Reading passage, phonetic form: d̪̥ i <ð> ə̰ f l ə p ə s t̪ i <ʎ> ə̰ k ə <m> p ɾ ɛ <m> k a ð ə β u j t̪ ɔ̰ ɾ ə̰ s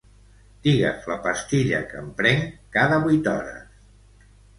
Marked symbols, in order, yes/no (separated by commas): no, yes, yes, no